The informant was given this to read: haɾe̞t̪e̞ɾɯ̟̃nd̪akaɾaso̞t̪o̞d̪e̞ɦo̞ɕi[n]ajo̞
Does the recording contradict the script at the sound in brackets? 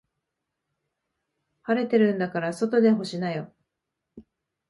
no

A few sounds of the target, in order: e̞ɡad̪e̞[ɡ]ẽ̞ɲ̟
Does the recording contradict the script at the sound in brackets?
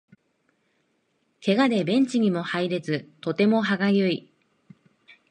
yes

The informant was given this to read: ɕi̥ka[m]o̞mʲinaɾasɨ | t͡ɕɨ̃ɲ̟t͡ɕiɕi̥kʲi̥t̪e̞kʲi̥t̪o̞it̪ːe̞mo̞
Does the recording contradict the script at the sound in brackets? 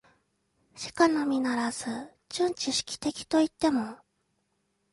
yes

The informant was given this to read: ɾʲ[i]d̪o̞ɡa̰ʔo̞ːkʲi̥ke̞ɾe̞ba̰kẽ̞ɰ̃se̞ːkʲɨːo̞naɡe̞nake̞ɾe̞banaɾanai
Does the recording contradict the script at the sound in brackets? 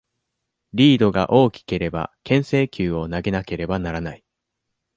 yes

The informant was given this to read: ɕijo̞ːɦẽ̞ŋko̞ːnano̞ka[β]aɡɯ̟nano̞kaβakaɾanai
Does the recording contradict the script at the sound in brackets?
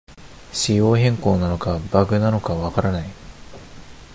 yes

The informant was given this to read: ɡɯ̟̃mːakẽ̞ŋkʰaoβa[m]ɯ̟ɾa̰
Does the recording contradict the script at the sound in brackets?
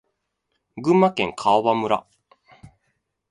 no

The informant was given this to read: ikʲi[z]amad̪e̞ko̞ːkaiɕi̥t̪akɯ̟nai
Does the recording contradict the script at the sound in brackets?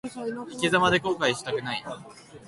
no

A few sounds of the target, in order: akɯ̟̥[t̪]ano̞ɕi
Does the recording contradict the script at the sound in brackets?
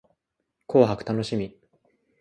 no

